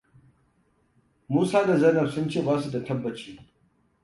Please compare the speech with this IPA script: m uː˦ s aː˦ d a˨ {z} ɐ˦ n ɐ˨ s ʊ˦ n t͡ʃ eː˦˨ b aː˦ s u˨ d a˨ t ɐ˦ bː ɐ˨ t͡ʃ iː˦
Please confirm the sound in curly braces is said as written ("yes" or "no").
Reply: yes